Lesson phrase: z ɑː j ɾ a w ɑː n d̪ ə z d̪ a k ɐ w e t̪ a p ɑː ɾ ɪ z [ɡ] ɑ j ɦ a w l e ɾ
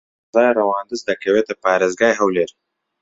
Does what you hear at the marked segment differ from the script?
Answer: no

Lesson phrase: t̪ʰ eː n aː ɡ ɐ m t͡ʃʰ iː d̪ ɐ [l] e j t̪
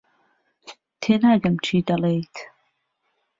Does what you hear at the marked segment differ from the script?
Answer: no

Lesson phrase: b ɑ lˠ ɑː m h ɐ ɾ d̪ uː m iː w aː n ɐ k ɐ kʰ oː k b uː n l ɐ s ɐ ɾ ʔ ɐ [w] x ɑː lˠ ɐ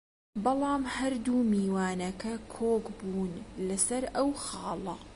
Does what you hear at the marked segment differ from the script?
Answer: no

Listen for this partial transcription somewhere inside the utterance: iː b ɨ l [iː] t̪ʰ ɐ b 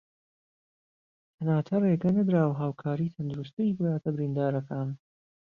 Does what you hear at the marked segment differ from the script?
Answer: yes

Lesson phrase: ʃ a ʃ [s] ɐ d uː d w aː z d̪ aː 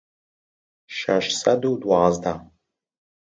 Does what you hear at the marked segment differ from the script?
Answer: no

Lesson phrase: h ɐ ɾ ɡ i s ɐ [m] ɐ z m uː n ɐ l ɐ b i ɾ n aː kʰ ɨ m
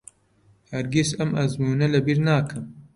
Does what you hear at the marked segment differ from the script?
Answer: no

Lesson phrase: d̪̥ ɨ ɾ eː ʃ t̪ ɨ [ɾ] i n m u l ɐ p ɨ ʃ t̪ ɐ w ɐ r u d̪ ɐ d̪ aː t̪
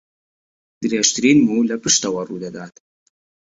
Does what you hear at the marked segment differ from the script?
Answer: no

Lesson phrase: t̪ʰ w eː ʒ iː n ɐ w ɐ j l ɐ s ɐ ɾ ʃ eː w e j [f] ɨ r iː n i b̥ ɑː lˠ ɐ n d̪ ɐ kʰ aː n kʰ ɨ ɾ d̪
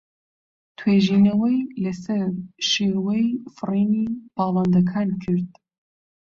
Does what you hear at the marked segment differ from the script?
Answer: no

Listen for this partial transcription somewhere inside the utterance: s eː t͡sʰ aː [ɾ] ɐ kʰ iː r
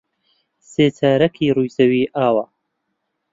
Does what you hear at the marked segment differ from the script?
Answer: no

